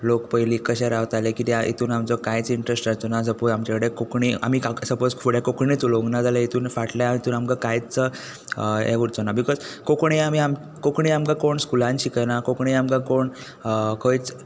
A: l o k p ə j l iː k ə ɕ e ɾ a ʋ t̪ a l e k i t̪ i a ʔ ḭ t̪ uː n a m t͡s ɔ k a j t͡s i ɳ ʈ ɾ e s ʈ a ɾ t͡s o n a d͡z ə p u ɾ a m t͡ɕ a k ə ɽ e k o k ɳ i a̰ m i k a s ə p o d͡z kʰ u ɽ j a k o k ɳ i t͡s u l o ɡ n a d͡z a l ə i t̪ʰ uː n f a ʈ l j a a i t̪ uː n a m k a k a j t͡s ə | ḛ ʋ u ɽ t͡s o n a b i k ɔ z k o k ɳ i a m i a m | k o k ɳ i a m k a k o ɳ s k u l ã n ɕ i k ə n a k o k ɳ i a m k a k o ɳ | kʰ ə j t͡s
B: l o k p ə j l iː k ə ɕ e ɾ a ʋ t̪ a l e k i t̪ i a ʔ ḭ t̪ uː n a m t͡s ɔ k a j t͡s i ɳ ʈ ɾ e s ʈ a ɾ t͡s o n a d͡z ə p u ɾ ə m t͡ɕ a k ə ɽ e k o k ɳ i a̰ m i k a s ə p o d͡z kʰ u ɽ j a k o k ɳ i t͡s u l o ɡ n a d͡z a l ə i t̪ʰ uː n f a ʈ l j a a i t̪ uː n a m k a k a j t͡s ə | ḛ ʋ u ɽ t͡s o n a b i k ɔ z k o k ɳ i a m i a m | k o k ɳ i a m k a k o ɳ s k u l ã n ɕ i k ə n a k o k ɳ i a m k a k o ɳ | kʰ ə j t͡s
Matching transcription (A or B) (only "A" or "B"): A